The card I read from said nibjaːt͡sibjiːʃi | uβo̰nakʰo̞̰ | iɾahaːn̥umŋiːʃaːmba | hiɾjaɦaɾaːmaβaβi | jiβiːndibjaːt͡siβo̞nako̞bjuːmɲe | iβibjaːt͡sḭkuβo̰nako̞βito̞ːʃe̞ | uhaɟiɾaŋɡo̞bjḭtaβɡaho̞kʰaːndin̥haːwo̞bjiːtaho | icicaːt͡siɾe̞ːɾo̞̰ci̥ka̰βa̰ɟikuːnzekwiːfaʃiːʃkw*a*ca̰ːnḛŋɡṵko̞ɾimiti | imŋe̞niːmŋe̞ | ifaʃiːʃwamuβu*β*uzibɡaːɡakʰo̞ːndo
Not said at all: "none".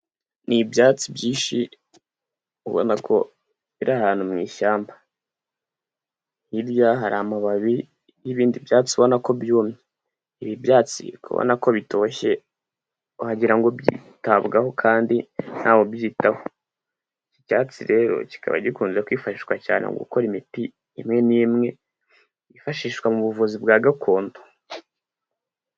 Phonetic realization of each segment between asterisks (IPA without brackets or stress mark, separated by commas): a, v